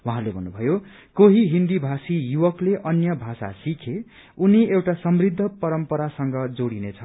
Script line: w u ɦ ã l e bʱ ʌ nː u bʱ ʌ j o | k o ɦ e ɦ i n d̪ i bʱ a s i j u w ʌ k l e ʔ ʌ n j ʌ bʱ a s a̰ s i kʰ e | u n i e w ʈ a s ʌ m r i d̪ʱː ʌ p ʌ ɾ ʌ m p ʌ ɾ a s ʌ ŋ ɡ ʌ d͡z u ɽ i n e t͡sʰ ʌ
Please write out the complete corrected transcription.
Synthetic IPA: w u ɦ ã l e bʱ ʌ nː u bʱ ʌ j o | k o ɦ i ɦ i n d̪ i bʱ a s i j u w ʌ k l e ʔ ʌ n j ʌ bʱ a s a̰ s i kʰ e | u n i e w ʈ a s ʌ m r i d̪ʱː ʌ p ʌ ɾ ʌ m p ʌ ɾ a s ʌ ŋ ɡ ʌ d͡z o ɽ i n e t͡sʰ ʌ